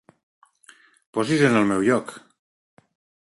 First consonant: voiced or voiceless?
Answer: voiceless